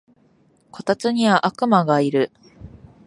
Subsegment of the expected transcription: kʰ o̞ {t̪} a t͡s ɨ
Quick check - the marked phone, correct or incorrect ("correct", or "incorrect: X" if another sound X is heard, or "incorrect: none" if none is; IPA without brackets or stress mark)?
correct